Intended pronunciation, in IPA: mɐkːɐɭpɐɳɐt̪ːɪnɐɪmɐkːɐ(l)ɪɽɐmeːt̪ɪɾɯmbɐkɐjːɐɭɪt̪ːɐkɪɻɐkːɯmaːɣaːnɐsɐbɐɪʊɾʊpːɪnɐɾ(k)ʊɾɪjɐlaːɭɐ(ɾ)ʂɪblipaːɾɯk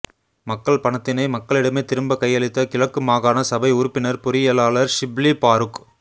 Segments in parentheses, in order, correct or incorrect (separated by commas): incorrect, incorrect, correct